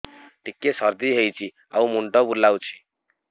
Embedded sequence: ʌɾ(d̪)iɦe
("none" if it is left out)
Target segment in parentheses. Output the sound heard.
d̪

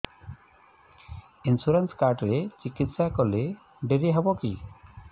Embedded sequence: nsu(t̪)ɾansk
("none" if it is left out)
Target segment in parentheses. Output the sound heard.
none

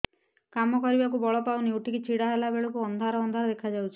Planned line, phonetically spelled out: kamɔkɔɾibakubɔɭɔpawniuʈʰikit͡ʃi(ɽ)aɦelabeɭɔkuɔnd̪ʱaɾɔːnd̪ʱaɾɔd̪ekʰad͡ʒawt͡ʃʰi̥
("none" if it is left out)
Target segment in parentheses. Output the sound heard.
ɽ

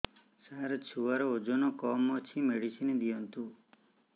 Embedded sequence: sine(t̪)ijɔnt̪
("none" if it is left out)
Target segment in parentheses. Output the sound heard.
d̪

